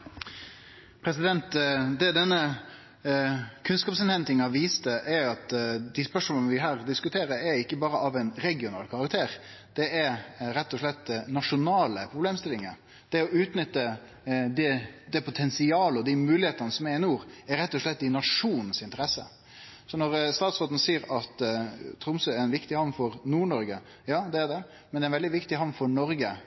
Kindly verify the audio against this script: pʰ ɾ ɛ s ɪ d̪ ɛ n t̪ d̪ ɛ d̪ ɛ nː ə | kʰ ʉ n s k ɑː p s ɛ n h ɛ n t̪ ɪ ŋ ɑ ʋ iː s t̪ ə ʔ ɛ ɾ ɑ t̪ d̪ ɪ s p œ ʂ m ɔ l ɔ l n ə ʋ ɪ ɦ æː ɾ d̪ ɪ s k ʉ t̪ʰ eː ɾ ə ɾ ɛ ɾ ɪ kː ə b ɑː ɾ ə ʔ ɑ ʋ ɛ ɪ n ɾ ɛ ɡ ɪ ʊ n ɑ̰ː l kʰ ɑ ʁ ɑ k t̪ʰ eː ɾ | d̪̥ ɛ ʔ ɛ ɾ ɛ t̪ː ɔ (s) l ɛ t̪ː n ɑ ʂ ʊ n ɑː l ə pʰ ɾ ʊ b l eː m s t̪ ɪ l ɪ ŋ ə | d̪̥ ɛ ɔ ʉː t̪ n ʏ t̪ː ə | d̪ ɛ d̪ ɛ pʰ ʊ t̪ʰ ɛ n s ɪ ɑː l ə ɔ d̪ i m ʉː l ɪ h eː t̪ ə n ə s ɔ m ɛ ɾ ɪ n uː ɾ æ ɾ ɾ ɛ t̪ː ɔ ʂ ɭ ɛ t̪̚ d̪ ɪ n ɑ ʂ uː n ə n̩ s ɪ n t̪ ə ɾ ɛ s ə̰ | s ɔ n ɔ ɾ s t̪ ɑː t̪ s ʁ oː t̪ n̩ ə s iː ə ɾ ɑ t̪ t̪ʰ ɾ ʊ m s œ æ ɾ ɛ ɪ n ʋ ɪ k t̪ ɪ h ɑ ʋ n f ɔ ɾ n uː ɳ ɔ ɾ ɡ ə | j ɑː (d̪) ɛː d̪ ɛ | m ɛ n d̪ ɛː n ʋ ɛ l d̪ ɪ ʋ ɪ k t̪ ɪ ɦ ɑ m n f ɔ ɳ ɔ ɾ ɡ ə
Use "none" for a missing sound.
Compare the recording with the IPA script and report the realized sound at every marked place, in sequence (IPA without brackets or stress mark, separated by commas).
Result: ʂ, d̪